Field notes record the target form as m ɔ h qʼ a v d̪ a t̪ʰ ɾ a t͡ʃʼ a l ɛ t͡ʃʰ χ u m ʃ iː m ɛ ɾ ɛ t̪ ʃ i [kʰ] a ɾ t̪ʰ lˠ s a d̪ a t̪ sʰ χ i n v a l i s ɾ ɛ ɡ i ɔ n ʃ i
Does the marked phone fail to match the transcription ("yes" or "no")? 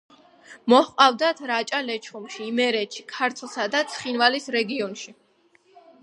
no